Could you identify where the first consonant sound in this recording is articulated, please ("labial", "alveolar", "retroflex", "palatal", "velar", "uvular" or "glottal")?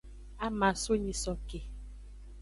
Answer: labial